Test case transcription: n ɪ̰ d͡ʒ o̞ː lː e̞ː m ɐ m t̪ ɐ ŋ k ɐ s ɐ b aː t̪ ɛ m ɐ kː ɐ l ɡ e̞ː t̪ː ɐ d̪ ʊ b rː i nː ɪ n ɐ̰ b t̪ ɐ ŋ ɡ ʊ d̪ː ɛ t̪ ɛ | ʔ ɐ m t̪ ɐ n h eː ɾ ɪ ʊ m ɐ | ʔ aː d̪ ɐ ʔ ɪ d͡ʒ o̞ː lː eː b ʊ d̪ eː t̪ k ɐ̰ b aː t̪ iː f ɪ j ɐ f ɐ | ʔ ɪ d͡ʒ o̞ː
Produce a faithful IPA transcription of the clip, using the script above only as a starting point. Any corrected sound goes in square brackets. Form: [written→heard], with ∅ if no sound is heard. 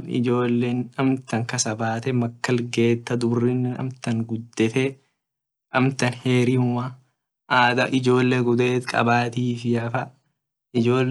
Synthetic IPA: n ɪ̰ d͡ʒ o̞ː lː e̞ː [m→n] ɐ m t̪ ɐ ŋ k ɐ s ɐ b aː t̪ ɛ m ɐ kː ɐ l ɡ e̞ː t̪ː ɐ d̪ ʊ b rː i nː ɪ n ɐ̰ [b→m] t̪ ɐ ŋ ɡ ʊ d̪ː ɛ t̪ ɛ | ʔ ɐ m t̪ ɐ n h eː ɾ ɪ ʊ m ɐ | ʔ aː d̪ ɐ ʔ ɪ d͡ʒ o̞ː lː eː [b→ɡ] ʊ d̪ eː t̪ [k→kʼ] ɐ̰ b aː t̪ iː f ɪ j ɐ f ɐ | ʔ ɪ d͡ʒ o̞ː